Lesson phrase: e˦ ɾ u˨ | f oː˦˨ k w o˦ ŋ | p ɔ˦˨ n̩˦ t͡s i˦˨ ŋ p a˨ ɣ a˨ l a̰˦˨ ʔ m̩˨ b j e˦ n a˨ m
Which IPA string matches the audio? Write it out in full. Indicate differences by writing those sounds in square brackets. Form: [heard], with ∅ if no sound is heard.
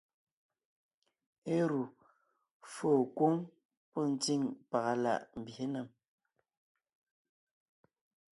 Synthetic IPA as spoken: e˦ ɾ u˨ | f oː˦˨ k w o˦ ŋ | p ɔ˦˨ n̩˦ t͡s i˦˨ ŋ p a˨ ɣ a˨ l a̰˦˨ ʔ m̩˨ b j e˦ n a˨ m